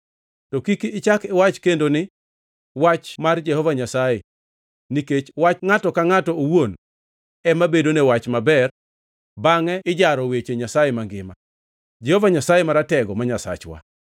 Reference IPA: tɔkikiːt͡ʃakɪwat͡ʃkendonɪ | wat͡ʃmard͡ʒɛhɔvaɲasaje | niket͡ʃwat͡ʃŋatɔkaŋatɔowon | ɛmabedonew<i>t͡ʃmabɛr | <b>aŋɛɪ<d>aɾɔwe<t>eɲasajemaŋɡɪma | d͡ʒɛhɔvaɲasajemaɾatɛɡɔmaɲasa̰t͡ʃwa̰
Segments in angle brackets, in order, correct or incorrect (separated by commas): incorrect, correct, incorrect, incorrect